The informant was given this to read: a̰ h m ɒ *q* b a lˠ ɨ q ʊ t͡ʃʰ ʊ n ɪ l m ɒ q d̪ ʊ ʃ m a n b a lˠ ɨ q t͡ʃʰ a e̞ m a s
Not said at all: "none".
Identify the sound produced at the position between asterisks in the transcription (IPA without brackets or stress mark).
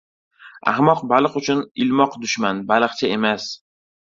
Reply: q